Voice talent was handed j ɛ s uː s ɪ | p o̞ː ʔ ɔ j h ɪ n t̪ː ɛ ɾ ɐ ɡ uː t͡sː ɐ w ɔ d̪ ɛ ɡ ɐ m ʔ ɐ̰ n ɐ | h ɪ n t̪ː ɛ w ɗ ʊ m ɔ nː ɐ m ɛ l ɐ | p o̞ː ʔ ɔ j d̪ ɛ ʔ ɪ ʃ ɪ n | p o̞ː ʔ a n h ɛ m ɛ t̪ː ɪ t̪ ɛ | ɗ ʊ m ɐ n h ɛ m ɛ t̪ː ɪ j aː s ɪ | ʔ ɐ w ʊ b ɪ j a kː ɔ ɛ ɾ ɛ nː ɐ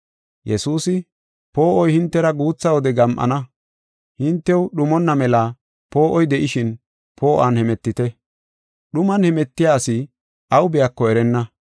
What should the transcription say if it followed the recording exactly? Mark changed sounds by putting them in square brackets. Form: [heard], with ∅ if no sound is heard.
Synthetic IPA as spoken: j ɛ s uː s ɪ | p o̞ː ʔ ɔ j h ɪ n t̪ː ɛ ɾ ɐ ɡ uː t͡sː ɐ w ɔ d̪ ɛ ɡ ɐ m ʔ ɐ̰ n ɐ | h ɪ n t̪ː ɛ w ɗ ʊ m ɔ nː ɐ m ɛ l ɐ | p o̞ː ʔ ɔ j d̪ ɛ ʔ ɪ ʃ ɪ n | p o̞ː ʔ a n h ɛ m ɛ t̪ː ɪ t̪ ɛ | ɗ ʊ m ɐ n h ɛ m ɛ t̪ː ɪ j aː s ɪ | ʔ ɐ w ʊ b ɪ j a kː ɔ ɛ ɾ ɛ nː ɐ